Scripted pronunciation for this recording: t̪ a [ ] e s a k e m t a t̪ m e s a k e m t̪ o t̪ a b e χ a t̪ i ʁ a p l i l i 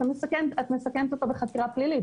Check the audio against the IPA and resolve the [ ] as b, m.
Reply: m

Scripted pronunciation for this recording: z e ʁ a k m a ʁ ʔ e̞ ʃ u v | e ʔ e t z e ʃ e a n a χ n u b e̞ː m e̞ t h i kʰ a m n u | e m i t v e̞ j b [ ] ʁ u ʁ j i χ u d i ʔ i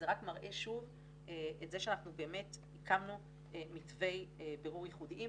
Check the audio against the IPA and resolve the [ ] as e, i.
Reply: e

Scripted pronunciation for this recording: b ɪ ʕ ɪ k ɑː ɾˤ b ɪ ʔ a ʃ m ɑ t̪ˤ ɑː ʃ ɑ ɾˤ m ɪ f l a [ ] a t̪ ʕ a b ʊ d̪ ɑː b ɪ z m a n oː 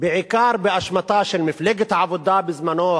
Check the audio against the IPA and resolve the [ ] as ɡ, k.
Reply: ɡ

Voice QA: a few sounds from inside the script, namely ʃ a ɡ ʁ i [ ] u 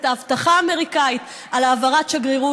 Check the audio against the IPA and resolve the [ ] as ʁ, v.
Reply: ʁ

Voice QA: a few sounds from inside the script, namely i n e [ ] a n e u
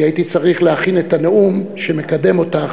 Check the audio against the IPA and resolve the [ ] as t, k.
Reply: t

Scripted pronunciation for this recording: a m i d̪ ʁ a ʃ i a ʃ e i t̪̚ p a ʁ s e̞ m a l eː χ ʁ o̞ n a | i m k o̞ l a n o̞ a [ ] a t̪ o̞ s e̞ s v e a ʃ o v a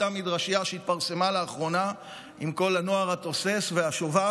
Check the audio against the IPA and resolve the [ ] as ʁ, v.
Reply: ʁ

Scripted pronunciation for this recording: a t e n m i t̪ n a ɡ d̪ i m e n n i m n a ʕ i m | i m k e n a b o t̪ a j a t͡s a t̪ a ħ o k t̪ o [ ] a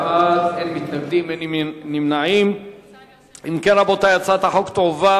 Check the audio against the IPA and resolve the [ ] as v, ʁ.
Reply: v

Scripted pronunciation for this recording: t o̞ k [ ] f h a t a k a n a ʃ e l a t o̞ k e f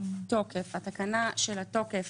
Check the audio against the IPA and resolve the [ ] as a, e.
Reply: e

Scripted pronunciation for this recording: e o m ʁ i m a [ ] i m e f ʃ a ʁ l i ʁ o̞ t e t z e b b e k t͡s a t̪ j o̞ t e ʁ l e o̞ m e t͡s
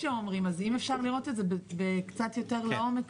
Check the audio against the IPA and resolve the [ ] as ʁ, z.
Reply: z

